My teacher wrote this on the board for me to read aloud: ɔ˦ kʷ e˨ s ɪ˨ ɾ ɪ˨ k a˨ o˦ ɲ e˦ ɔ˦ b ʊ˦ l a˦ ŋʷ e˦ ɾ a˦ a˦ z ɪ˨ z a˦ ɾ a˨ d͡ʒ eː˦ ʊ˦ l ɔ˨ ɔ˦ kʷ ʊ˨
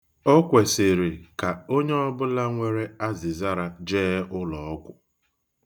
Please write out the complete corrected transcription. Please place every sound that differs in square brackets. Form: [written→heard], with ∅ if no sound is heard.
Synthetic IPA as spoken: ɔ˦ kʷ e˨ s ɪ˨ ɾ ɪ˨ k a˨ o˦ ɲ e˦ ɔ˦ b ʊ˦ l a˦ ŋʷ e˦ ɾ [a˦→e˦] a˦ z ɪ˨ z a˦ ɾ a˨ d͡ʒ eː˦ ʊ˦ l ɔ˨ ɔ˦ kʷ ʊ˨